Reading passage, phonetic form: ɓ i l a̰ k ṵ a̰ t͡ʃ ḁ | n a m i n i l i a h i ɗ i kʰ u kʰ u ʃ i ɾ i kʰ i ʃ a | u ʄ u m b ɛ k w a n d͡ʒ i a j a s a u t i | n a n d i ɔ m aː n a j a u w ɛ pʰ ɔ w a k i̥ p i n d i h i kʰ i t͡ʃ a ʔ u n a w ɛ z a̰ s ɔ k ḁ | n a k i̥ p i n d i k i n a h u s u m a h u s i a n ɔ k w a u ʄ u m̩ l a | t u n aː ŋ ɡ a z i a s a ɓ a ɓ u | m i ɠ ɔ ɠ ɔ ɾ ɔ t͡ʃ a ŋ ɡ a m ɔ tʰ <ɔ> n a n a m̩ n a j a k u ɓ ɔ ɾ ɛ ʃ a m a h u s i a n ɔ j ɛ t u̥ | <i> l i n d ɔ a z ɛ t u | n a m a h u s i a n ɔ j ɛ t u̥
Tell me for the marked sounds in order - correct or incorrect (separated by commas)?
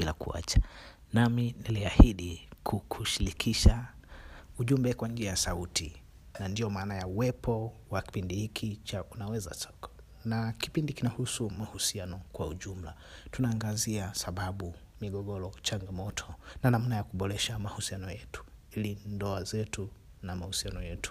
correct, correct